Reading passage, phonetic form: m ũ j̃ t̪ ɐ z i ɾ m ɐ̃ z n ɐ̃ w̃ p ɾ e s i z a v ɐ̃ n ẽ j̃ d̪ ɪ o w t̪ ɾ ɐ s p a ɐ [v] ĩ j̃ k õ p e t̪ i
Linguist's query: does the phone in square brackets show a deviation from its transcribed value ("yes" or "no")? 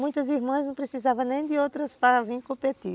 no